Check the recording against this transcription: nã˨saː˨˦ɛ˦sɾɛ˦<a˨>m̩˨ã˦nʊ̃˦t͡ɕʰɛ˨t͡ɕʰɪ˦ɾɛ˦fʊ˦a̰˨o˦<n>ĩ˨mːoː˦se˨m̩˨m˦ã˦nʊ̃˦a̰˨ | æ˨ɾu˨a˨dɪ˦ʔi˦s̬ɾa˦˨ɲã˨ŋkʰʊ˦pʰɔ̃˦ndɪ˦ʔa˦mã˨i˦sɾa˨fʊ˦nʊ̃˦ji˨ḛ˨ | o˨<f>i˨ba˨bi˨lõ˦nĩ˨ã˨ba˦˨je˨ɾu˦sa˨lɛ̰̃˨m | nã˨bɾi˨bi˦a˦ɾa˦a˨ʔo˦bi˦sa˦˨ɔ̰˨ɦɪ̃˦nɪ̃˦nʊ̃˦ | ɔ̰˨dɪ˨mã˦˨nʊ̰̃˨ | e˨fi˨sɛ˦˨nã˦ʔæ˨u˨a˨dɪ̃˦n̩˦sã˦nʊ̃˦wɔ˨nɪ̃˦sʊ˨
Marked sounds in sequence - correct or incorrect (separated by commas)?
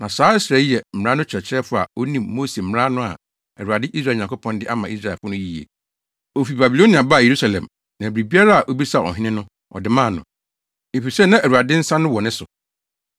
incorrect, correct, correct